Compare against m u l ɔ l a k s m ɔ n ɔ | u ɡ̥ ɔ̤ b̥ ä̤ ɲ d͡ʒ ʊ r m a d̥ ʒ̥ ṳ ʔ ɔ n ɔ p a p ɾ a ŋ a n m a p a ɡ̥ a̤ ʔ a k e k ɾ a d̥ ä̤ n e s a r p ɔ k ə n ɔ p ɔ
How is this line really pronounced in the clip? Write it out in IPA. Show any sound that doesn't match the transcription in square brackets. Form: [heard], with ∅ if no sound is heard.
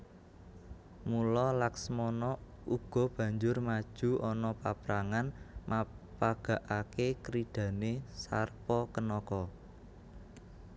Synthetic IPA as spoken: m u l ɔ l a k s m ɔ n ɔ | u ɡ̥ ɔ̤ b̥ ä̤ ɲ d͡ʒ ʊ r m a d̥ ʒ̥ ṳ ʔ ɔ n ɔ p a p ɾ a ŋ a n m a p a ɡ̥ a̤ ʔ a k e k ɾ [i] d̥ ä̤ n e s a r p ɔ k ə n ɔ [k] ɔ